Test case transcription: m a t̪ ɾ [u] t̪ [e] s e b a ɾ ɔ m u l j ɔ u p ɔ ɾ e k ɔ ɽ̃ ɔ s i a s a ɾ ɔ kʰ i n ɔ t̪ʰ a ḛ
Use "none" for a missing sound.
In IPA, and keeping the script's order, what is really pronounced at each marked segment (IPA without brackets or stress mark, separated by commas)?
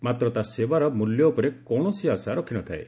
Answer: ɔ, a